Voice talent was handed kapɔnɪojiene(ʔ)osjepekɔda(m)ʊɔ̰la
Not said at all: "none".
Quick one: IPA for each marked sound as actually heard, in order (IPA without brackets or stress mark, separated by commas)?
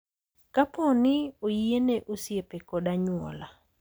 ʔ, ɲ